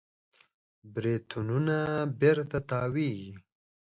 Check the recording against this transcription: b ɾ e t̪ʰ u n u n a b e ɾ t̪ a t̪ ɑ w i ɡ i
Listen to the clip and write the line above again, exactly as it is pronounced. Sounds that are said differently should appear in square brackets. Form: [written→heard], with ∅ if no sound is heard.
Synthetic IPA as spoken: b ɾ e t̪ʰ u n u n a b e ɾ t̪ a t̪ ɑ w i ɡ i